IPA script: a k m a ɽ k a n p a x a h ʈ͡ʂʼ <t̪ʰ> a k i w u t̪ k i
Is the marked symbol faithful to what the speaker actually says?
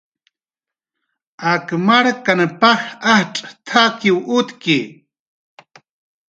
yes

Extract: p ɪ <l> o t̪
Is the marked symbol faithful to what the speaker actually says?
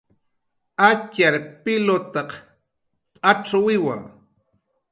yes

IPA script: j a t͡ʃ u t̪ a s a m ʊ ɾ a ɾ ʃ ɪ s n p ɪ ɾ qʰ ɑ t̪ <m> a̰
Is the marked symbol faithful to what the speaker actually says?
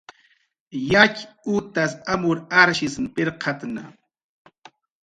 no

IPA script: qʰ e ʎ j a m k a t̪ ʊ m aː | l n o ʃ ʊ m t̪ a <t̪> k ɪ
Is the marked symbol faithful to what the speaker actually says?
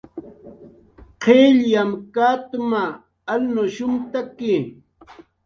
no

